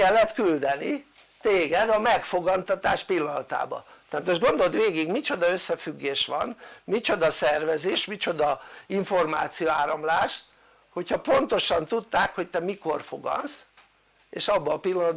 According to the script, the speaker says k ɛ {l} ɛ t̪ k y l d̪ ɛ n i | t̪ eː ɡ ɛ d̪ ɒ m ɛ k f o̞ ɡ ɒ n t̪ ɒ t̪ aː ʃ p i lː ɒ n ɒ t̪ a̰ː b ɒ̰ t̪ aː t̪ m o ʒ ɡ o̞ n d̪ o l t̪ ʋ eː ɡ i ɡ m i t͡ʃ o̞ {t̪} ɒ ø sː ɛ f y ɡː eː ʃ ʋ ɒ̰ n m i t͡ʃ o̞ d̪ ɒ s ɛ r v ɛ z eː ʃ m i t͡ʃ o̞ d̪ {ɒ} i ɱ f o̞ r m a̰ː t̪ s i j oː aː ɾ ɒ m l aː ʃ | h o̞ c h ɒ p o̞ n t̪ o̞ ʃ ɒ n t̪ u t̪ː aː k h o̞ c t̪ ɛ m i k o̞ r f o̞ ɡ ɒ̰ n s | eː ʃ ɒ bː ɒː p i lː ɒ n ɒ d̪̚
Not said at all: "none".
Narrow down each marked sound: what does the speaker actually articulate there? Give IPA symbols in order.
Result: lː, d̪, ɒ

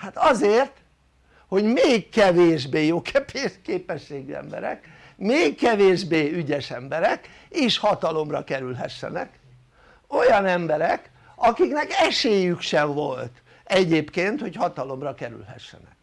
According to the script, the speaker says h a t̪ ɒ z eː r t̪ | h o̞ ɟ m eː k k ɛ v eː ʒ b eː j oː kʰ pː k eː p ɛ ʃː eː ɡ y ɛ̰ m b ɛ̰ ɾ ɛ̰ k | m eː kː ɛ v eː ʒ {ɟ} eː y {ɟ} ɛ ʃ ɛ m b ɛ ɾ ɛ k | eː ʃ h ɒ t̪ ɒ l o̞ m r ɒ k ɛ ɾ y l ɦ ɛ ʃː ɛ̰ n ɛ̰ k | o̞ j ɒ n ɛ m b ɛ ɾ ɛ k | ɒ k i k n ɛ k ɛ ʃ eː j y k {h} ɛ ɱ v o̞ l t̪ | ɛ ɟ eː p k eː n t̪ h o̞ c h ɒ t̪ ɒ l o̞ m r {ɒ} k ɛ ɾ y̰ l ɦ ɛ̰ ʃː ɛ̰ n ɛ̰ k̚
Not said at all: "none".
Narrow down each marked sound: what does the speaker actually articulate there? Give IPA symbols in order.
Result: b, ɟ, ʃ, ɒ

